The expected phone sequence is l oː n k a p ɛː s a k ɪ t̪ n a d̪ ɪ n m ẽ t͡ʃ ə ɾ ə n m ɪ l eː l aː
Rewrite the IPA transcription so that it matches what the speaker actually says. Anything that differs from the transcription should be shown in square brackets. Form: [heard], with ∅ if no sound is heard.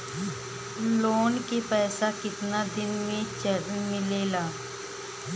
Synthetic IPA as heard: l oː n k [e] p ɛː s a k ɪ t̪ n a d̪ ɪ n m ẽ t͡ʃ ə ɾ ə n m ɪ l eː l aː